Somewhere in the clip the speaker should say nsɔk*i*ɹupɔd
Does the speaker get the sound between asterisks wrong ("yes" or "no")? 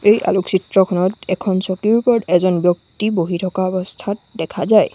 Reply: no